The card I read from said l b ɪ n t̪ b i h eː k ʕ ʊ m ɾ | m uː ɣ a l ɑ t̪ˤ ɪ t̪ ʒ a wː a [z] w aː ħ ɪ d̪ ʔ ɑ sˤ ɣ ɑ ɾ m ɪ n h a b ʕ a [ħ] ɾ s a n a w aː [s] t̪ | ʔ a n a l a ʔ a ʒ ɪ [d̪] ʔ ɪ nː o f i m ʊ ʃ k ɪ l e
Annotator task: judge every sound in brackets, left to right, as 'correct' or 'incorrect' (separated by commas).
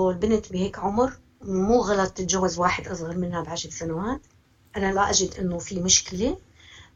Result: correct, incorrect, incorrect, correct